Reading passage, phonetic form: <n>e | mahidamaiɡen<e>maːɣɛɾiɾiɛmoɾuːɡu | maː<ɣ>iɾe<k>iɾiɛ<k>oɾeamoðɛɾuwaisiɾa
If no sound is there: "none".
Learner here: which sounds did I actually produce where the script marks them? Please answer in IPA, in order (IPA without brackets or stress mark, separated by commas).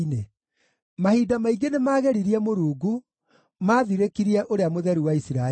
n, e, ð, k, ʔ